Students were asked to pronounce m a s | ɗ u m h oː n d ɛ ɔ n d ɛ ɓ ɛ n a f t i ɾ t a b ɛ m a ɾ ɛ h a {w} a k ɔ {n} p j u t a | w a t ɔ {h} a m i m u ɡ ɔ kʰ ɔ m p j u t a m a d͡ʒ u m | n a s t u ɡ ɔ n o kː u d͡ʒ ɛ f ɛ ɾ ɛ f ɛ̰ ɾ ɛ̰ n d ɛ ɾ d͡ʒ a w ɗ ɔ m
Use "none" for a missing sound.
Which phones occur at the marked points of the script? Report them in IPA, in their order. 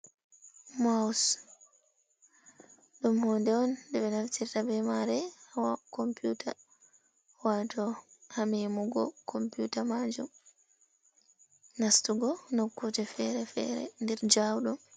w, m, h

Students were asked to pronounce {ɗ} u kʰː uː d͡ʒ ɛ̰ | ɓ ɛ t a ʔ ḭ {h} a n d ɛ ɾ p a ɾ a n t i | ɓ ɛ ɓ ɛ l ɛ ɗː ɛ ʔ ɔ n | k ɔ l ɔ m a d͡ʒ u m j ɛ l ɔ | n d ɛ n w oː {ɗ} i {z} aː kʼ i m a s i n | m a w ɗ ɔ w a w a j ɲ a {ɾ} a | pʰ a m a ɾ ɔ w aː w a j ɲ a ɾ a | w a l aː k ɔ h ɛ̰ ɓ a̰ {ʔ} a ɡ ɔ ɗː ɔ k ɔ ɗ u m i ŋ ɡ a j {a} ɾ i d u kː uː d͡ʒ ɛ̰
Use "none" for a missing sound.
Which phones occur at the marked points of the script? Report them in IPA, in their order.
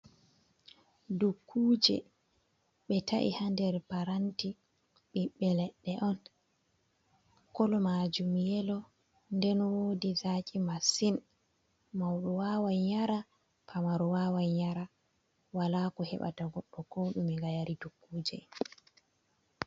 d, h, d, z, ɾ, t, a

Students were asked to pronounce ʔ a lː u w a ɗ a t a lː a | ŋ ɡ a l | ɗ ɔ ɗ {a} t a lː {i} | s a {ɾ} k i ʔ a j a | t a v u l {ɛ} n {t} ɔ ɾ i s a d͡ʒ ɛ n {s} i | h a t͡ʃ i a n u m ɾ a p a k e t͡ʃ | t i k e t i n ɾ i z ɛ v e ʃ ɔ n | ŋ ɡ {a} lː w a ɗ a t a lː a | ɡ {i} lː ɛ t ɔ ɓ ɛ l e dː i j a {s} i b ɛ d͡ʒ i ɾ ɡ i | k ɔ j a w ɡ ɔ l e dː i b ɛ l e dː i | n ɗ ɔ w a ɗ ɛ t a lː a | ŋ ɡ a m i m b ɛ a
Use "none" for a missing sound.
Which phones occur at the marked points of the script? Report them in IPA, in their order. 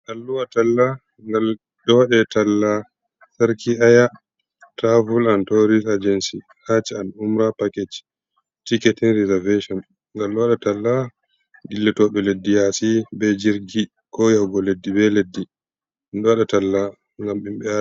ɛ, a, ɾ, a, t, s, a, i, s

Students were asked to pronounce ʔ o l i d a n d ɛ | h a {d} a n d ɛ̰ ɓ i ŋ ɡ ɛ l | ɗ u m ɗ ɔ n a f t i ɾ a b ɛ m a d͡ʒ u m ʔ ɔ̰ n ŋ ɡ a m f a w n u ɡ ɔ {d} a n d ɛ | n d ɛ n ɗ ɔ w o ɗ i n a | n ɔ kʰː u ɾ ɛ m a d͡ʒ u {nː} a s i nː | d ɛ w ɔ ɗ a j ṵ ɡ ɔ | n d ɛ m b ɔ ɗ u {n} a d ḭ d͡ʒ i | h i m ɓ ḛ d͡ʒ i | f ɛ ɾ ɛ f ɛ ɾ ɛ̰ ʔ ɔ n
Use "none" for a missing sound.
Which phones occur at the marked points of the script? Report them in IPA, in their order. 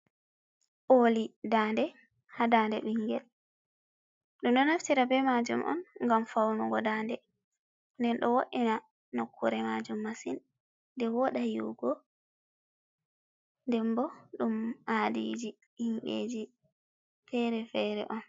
d, d, mː, m

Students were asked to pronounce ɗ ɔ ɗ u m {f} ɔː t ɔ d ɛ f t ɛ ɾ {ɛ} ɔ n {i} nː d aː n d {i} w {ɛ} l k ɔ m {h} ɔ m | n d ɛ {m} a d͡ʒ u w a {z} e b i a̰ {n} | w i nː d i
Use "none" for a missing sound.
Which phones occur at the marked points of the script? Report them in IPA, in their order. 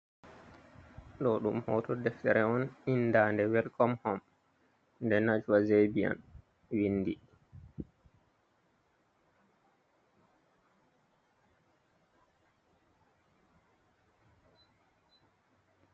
h, ɛ, i, ɛ, ɛ, h, n, z, n

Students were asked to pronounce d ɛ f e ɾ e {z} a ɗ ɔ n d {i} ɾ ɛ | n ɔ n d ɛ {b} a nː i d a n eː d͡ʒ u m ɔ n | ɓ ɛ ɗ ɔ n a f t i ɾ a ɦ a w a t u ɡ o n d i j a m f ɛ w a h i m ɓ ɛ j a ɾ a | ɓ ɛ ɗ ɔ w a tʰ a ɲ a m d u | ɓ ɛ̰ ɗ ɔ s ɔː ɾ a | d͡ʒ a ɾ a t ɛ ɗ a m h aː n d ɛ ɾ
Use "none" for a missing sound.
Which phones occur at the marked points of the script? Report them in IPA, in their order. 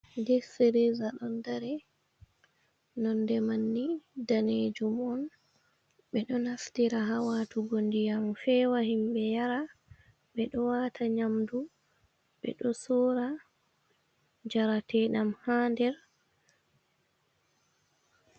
z, a, m

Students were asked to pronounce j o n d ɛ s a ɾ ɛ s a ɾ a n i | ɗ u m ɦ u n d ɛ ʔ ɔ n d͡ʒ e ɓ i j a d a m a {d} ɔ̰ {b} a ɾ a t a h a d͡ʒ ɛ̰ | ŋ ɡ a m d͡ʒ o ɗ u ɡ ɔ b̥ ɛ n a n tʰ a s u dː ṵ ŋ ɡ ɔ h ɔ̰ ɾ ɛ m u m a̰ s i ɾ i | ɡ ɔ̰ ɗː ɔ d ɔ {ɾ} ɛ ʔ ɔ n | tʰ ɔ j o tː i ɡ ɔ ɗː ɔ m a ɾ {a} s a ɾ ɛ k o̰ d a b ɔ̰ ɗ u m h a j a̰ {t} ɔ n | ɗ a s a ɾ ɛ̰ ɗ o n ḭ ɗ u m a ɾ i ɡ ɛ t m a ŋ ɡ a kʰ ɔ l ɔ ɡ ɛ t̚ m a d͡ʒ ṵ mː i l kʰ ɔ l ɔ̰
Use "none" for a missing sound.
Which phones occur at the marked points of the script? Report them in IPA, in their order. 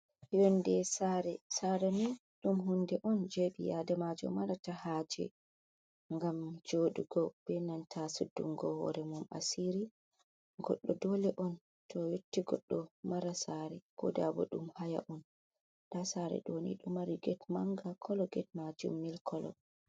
d͡ʒ, m, l, a, ʔ

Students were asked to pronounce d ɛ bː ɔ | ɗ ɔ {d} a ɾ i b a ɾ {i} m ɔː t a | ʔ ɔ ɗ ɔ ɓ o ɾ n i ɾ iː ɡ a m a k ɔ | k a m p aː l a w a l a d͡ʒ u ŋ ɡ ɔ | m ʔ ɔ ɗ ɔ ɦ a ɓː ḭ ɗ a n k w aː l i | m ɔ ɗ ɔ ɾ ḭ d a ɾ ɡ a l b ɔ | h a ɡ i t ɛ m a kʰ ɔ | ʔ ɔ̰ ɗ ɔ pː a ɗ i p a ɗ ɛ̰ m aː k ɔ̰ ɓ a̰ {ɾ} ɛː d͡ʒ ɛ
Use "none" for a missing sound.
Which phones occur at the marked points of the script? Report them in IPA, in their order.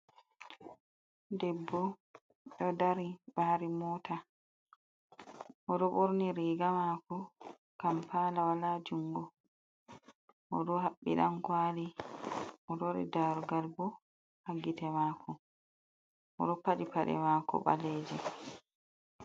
d, i, l

